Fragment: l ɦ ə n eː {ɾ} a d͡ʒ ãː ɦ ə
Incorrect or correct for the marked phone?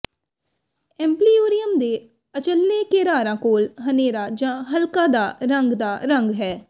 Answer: correct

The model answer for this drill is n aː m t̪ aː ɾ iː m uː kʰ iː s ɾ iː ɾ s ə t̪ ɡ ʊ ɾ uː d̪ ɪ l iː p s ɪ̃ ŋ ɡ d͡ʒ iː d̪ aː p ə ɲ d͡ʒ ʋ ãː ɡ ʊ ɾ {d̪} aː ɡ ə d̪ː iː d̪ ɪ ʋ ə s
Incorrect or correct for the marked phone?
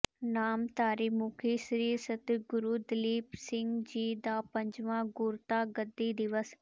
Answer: incorrect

